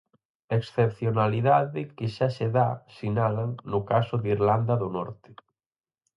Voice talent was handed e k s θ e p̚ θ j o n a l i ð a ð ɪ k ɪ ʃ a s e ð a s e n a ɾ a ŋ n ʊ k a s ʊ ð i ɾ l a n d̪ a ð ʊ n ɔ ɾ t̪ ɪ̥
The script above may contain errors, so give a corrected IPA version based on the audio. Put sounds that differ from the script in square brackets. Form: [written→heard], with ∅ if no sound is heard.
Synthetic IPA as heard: e k s θ e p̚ θ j o n a l i ð a ð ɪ k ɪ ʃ a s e ð a s [e→i] n a [ɾ→l] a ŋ n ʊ k a s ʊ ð i ɾ l a n d̪ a ð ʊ n ɔ ɾ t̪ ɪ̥